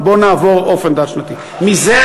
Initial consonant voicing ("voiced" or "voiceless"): voiced